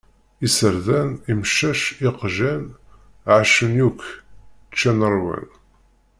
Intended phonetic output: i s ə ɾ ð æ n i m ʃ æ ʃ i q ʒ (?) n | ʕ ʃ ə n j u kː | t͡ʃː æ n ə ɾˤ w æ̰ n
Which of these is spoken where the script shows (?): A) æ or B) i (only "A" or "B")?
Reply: A